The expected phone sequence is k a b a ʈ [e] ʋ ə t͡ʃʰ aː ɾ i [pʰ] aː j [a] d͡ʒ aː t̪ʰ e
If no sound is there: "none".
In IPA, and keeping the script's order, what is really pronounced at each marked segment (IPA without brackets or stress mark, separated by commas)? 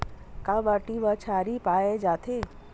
i, p, e